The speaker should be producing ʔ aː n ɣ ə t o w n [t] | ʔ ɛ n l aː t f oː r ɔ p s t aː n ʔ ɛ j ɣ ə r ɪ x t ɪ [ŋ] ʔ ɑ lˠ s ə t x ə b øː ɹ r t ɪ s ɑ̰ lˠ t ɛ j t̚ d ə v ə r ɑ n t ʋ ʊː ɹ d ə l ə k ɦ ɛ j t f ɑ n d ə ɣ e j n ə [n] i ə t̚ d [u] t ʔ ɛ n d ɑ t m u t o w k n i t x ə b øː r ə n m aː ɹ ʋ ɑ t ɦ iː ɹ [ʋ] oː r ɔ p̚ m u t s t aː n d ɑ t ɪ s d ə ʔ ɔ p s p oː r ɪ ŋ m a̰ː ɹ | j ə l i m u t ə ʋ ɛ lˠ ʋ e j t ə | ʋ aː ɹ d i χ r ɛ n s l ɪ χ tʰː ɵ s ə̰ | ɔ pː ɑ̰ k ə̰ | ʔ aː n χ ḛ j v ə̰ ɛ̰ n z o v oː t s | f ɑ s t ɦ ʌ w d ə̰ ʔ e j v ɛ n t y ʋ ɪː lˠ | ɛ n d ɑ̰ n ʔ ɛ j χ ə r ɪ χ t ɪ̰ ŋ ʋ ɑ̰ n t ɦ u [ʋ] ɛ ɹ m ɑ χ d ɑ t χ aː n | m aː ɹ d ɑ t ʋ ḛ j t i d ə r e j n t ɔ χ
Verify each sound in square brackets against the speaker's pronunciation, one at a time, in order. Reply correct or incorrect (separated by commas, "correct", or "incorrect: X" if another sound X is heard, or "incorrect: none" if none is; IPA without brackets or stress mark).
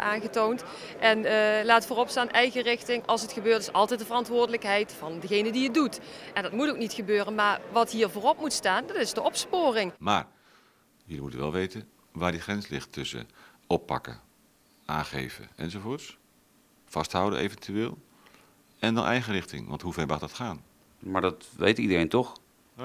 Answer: correct, correct, incorrect: d, correct, incorrect: v, incorrect: v